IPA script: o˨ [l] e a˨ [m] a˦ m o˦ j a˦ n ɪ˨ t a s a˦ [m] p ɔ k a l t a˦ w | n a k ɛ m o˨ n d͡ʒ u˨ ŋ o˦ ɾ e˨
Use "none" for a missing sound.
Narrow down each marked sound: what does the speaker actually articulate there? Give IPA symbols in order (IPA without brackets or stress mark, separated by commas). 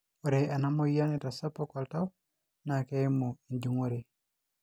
ɾ, n, none